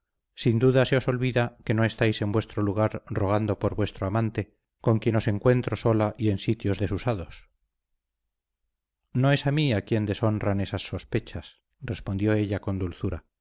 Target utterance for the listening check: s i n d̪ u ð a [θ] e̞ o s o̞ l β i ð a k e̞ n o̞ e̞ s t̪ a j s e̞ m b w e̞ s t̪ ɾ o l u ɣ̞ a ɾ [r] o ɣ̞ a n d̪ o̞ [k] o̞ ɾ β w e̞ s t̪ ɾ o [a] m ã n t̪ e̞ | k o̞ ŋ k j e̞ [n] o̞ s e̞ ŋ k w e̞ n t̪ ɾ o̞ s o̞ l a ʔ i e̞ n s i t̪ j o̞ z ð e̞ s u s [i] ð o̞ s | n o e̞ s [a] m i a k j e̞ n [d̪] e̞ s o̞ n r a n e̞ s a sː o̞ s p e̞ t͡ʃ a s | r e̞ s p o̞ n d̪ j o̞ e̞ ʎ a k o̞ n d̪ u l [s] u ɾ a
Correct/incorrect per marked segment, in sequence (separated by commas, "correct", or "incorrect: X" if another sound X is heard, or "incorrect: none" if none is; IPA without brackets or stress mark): incorrect: s, correct, incorrect: p, correct, correct, incorrect: a, correct, correct, incorrect: θ